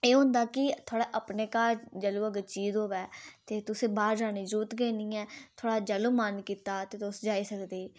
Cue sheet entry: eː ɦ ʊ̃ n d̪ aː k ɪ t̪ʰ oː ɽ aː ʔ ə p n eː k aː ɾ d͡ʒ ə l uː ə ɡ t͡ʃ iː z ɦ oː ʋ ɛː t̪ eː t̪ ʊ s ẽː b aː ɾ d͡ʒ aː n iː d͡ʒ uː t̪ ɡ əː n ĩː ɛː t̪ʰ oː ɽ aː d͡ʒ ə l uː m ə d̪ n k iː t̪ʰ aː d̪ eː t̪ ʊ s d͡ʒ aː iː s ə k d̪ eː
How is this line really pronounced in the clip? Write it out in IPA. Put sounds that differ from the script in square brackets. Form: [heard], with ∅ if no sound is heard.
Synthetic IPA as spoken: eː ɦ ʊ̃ n d̪ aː k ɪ t̪ʰ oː ɽ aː ʔ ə p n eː k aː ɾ d͡ʒ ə l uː ə ɡ t͡ʃ iː z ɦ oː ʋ ɛː t̪ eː t̪ ʊ s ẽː b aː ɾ d͡ʒ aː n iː d͡ʒ uː t̪ ɡ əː n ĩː ɛː t̪ʰ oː ɽ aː d͡ʒ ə l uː m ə [∅] n k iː [t̪] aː [t̪] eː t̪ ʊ s d͡ʒ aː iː s ə k d̪ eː